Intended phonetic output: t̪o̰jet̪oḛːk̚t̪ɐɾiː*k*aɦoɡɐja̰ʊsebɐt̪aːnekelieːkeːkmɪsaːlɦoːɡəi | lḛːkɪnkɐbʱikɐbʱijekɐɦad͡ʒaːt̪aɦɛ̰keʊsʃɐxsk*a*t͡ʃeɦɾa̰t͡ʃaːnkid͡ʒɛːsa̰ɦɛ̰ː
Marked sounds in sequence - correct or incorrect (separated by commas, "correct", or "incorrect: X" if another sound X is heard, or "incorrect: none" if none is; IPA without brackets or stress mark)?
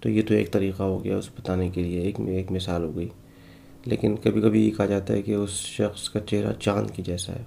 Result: incorrect: q, correct